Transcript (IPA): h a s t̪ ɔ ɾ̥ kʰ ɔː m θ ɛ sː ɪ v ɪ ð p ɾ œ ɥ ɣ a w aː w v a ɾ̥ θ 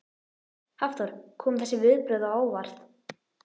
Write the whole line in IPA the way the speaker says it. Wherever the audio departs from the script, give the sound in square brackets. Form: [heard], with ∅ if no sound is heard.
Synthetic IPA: h a [f] t̪ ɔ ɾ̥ kʰ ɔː m θ ɛ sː ɪ v ɪ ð p ɾ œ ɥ [ð] a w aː w v a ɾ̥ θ

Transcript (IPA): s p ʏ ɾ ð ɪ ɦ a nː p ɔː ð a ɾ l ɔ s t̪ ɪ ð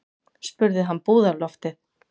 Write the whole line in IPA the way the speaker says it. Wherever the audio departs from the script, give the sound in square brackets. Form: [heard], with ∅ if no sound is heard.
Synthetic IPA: s p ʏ ɾ ð ɪ ɦ a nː p [uː] ð a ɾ l ɔ [f] t̪ ɪ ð

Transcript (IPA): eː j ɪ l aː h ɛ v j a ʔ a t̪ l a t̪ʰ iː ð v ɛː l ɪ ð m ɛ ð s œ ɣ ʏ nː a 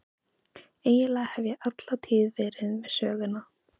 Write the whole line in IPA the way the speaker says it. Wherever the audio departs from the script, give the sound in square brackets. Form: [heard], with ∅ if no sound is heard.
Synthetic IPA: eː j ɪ l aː h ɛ v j [ɛ] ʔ a t̪ l a t̪ʰ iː ð v ɛː [ɾ] ɪ ð m ɛ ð s [œː] ɣ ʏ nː a

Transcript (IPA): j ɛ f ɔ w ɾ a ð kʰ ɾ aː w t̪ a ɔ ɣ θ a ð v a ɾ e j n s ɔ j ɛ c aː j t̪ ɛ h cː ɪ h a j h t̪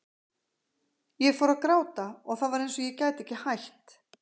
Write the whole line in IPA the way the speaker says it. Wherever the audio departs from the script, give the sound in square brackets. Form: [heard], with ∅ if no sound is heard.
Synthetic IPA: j ɛ f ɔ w ɾ a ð [k] ɾ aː w t̪ a ɔ ɣ θ a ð v a ɾ e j n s ɔ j ɛ c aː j t̪ ɛ h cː ɪ h a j h t̪

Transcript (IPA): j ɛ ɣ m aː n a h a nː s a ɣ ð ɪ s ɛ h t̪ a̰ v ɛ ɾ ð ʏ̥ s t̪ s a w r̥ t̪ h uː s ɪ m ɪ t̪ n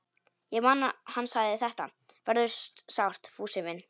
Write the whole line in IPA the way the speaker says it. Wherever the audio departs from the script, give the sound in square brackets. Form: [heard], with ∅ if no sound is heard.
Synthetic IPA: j ɛ ɣ m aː n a h a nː s a ɣ ð ɪ [θ] ɛ h t̪ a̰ v ɛ ɾ ð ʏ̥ s t̪ s a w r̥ t̪ [f] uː s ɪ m ɪ [∅] n

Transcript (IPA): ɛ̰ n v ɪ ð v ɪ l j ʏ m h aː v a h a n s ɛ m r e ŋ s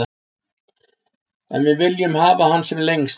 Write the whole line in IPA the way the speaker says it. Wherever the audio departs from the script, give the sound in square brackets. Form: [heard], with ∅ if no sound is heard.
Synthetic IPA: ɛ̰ n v ɪ ð v ɪ l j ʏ m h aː v a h a n s ɛ m [l] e ŋ s

